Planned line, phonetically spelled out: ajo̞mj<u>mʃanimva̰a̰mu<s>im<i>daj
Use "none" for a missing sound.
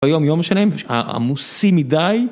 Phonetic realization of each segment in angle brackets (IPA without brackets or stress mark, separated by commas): o, s, i